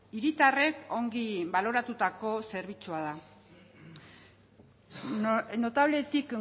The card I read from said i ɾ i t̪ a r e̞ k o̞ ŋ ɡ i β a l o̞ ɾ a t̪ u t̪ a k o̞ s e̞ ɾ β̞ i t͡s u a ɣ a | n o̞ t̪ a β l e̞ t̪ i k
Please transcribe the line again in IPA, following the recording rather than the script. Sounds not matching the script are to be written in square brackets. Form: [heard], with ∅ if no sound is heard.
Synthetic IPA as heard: i ɾ i t̪ a r e̞ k o̞ ŋ ɡ i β a l o̞ ɾ a t̪ u t̪ a k o̞ s e̞ ɾ β̞ i t͡s u a [ð] a | n o̞ t̪ a β l e̞ t̪ i k